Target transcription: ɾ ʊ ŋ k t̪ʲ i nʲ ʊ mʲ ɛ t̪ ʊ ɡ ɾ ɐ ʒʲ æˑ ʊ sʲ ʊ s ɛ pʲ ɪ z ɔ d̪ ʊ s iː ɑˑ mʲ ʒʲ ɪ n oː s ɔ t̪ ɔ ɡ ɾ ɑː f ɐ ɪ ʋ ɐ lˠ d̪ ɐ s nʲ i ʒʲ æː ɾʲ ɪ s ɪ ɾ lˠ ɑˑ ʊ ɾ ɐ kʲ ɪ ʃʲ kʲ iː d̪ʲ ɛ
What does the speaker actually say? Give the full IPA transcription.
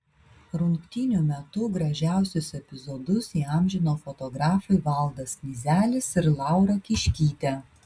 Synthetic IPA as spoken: ɾ ʊ ŋ k t̪ʲ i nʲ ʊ mʲ ɛ t̪ ʊ ɡ ɾ ɐ ʒʲ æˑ ʊ sʲ ʊ s ɛ pʲ ɪ z ɔ d̪ ʊ s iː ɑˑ mʲ ʒʲ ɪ n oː f ɔ t̪ ɔ ɡ ɾ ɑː f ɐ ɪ ʋ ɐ lˠ d̪ ɐ s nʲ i zʲ æː lʲ ɪ s ɪ ɾ lˠ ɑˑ ʊ ɾ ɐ kʲ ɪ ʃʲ kʲ iː t̪ʲ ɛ